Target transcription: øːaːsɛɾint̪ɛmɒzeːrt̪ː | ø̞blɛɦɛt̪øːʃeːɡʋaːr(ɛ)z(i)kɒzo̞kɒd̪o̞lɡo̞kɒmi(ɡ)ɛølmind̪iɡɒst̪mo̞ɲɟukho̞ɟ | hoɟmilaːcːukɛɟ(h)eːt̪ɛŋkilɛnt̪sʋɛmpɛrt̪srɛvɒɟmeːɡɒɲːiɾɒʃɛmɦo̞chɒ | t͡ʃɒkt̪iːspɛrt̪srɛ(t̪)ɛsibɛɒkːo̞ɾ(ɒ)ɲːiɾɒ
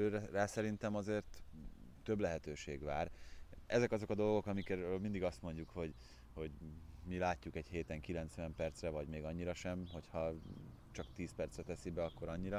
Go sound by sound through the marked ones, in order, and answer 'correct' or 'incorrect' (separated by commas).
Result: correct, incorrect, incorrect, correct, correct, correct